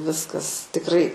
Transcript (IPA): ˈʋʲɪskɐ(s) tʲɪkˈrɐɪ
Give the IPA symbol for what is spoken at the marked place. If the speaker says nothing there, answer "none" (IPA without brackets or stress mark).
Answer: s